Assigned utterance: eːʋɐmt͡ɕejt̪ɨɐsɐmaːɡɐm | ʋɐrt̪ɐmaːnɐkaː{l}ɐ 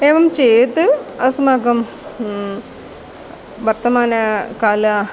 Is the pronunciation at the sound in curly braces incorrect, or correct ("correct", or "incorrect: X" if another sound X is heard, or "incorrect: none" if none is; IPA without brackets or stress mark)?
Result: correct